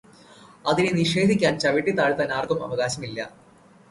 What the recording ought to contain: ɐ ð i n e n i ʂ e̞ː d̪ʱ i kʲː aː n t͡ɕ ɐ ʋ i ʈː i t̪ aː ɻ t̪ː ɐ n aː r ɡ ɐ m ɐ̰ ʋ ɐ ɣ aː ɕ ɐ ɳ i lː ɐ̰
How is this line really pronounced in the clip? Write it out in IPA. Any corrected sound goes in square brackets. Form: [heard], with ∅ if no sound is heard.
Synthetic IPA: ɐ ð i n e n i ʂ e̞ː d̪ʱ i kʲː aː n t͡ɕ ɐ ʋ i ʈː i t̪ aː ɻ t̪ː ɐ n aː r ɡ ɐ m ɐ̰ ʋ ɐ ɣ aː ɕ ɐ [m] i lː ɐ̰